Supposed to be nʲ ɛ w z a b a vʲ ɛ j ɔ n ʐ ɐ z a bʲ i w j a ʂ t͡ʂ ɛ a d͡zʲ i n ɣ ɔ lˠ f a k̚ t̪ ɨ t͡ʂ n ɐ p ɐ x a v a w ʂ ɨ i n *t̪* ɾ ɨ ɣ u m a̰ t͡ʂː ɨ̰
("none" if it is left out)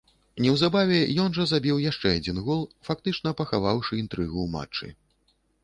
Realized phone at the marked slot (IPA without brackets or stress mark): t̪